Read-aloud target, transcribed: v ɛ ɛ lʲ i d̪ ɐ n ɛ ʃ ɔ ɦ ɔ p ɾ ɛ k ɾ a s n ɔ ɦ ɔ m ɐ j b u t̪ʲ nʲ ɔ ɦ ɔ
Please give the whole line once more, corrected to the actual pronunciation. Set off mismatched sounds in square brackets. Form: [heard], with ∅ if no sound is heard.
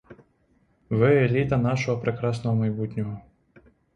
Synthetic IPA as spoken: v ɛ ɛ lʲ i [t̪] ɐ n [a] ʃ ɔ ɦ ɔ p ɾ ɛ k ɾ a s n ɔ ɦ ɔ m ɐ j b u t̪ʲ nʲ ɔ ɦ ɔ

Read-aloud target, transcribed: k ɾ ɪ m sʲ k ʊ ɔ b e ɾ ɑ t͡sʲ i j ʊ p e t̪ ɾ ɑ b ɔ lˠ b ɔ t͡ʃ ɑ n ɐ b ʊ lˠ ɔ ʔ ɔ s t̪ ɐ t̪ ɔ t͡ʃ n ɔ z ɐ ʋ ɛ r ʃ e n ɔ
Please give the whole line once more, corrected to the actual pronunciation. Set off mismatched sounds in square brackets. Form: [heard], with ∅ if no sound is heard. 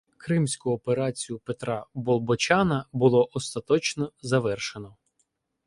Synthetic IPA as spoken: k ɾ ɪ m sʲ k ʊ ɔ [p] e ɾ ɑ t͡sʲ i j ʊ p e t̪ ɾ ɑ b ɔ lˠ b ɔ t͡ʃ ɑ n ɐ b ʊ lˠ ɔ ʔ ɔ s t̪ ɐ t̪ ɔ t͡ʃ n ɔ z ɐ ʋ ɛ r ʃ e n ɔ

